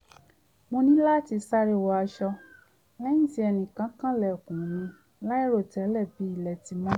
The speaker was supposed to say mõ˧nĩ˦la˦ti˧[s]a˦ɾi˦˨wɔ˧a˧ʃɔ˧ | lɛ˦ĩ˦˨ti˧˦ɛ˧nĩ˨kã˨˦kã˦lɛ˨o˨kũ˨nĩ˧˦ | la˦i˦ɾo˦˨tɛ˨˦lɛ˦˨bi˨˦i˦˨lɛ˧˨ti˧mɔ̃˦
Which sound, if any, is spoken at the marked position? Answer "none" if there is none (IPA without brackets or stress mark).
s